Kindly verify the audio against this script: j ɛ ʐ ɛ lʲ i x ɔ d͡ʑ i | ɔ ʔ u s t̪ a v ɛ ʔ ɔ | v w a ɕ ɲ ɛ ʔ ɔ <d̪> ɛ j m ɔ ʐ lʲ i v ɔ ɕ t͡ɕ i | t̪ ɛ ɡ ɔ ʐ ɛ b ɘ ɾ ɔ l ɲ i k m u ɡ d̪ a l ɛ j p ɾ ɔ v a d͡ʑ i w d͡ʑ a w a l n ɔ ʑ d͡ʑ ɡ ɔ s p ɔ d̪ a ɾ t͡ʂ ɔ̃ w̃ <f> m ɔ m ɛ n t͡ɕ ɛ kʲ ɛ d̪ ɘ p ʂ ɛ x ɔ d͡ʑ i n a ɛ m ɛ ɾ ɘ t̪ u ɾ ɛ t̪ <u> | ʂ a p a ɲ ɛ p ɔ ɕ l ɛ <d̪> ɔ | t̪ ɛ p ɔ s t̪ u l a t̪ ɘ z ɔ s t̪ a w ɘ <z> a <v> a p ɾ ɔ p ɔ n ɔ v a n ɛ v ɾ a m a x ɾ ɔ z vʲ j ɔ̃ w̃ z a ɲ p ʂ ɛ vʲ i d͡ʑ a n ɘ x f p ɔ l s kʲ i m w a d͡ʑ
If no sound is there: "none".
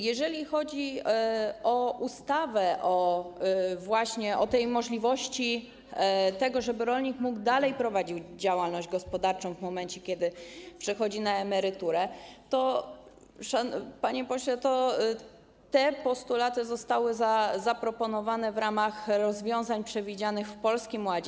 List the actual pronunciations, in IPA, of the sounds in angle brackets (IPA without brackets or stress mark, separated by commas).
t̪, v, ɔ, t̪, z, z